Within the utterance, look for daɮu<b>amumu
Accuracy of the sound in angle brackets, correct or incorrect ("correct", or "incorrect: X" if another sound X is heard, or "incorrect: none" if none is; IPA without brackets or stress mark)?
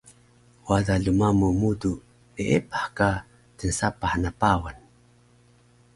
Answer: incorrect: m